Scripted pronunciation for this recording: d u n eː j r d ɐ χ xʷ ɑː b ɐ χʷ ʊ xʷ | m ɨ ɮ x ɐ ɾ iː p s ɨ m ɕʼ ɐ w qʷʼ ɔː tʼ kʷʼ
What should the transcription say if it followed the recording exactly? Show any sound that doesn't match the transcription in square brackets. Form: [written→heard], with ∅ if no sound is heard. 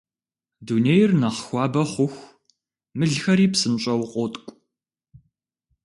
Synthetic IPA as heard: d u n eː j r [d→n] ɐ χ xʷ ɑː b ɐ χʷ ʊ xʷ | m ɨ ɮ x ɐ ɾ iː p s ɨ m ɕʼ ɐ w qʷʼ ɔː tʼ kʷʼ